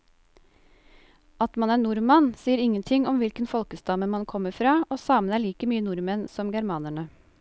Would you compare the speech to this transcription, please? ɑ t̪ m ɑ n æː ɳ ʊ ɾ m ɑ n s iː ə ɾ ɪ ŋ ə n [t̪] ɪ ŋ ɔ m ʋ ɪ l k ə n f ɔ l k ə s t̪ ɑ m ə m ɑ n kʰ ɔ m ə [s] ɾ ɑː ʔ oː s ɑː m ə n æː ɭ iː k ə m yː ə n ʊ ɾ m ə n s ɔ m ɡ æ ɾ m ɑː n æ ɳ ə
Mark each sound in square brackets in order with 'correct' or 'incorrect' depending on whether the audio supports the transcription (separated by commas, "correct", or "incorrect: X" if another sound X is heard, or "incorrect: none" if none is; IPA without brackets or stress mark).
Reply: incorrect: t̪ʰ, incorrect: f